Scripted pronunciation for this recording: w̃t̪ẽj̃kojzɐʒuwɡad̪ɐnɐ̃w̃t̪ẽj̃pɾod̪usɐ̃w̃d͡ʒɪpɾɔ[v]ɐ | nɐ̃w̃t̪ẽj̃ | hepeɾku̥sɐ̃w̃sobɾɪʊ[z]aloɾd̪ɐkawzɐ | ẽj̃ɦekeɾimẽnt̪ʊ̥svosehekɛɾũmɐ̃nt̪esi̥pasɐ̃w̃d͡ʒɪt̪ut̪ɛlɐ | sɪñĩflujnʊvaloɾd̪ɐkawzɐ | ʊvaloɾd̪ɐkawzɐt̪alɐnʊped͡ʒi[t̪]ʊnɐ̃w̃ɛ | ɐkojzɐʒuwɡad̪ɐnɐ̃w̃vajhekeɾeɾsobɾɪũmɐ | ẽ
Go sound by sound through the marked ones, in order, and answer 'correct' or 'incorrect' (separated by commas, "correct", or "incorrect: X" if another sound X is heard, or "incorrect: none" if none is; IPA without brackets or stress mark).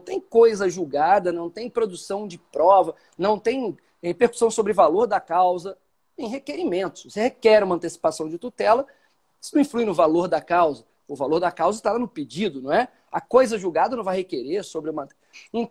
correct, incorrect: v, incorrect: d̪